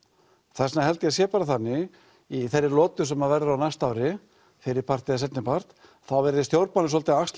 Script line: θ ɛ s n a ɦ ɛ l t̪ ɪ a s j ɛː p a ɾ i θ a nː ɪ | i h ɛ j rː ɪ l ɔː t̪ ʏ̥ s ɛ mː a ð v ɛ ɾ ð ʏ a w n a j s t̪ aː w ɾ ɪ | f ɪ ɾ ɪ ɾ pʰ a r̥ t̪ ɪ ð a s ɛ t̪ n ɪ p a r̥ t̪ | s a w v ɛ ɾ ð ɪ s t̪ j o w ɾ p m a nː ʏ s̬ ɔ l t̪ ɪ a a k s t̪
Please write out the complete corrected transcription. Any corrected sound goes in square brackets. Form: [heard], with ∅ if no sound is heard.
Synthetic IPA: θ ɛ s n a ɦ ɛ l t̪ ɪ a s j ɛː p a ɾ [a] θ a nː ɪ | i [θ] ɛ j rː ɪ l ɔː t̪ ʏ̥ s ɛ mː a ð v ɛ ɾ ð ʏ a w n a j s t̪ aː w ɾ ɪ | f ɪ ɾ ɪ ɾ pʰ a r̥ t̪ ɪ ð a s ɛ t̪ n ɪ p a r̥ t̪ | [θ] a w v ɛ ɾ ð ɪ s t̪ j o w ɾ p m a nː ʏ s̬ ɔ l t̪ ɪ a a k s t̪